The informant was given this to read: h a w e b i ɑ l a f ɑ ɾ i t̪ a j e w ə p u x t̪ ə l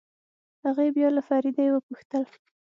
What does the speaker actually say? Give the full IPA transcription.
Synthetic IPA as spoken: h a ɣ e b j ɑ l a f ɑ ɾ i d̪ a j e w ə p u x t̪ ə l